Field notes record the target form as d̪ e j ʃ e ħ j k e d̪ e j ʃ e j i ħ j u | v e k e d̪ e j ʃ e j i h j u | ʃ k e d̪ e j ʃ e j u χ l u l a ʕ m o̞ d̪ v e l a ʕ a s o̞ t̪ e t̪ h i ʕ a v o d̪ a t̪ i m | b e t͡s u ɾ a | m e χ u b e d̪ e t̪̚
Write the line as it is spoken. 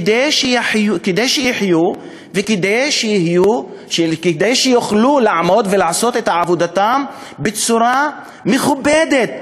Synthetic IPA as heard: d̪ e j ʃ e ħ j k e d̪ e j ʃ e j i ħ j u | v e k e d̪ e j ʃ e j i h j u | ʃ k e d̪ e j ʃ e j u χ l u l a ʕ m o̞ d̪ v e l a ʕ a s o̞ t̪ e t̪ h a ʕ a v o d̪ a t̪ a m | b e t͡s u ɾ a | m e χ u b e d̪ e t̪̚